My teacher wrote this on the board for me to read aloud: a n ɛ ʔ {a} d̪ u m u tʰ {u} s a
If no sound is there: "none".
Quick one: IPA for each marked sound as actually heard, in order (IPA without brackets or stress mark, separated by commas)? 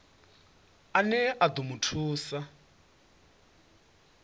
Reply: a, uː